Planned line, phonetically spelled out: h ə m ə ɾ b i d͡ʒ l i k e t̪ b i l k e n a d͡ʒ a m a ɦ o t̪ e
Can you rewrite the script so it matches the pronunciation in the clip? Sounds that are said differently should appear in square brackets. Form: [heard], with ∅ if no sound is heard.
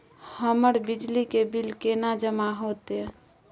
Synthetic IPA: h ə m ə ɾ b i d͡ʒ l i k e [∅] b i l k e n a d͡ʒ [ə] m a ɦ o t̪ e

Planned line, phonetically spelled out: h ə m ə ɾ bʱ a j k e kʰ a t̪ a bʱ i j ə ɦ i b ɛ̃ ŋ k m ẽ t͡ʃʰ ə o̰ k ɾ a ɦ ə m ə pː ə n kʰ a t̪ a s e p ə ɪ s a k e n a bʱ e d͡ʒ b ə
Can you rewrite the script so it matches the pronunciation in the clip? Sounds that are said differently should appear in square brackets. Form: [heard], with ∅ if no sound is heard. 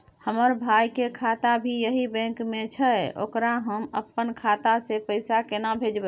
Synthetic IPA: h ə m ə ɾ bʱ a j k e kʰ a t̪ a bʱ i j ə ɦ i b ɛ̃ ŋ k m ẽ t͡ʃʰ ə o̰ k ɾ a ɦ ə m ə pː ə n kʰ a t̪ a s e p ə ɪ s a k e n a bʱ e d͡ʒ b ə

